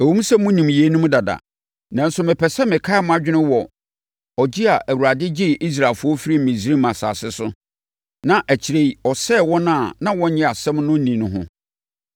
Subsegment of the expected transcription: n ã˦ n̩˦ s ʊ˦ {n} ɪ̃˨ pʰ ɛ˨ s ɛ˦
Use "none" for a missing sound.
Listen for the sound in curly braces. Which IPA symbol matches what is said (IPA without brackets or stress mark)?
m